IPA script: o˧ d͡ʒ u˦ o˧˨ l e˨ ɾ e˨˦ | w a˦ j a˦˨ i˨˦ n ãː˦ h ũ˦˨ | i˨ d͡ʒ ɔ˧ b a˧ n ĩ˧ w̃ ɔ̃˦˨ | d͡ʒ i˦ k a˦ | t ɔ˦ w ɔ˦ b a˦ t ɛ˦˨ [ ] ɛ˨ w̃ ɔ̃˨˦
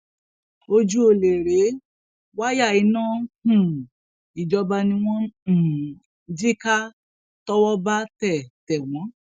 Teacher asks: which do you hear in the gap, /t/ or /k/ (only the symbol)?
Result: t